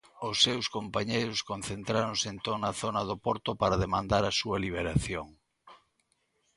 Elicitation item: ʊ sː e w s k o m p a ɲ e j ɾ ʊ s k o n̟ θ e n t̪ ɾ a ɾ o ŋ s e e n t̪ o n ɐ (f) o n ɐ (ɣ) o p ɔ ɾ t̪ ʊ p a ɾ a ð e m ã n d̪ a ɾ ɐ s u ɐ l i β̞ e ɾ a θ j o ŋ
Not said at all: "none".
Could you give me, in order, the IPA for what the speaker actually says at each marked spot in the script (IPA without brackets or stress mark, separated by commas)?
θ, ð